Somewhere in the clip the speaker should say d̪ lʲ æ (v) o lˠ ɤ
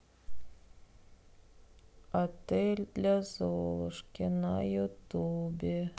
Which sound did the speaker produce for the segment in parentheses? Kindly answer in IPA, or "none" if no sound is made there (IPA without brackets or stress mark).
z